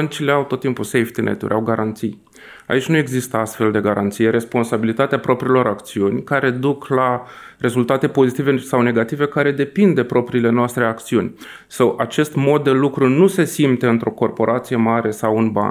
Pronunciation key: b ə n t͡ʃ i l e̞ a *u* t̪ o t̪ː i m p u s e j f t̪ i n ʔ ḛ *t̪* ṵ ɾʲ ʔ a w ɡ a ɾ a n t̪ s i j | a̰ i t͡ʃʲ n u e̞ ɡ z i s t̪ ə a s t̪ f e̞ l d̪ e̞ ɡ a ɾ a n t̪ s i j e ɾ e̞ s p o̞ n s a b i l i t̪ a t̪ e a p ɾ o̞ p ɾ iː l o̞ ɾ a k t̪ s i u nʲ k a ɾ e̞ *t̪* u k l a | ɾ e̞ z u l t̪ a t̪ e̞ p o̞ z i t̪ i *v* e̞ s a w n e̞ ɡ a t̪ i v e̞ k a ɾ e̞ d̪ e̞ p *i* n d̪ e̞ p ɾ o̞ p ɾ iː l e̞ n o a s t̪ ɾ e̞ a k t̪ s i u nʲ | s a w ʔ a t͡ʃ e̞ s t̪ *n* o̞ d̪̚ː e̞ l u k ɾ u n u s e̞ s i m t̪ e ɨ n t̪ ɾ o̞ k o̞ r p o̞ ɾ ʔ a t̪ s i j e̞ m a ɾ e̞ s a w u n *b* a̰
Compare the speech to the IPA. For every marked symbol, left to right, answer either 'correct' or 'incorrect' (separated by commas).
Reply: incorrect, correct, incorrect, correct, correct, incorrect, correct